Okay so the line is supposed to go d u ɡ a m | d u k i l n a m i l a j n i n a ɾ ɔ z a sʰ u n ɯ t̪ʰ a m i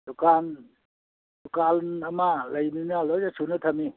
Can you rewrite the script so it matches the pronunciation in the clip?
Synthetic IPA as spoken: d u k a n | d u k a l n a m a l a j n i n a l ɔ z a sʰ u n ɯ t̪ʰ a m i